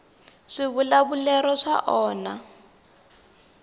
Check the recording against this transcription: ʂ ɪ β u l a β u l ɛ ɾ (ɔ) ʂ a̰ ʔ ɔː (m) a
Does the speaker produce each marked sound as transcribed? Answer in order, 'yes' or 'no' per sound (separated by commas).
yes, no